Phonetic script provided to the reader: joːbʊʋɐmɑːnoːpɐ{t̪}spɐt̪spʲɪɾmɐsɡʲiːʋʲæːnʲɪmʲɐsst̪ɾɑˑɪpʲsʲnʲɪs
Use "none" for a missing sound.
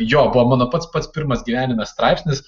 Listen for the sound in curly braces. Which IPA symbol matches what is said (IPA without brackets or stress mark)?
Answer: t̪